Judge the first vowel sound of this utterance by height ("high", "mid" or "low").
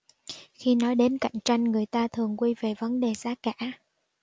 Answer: high